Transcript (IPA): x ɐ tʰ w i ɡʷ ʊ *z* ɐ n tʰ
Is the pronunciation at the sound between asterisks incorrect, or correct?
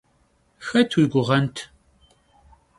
incorrect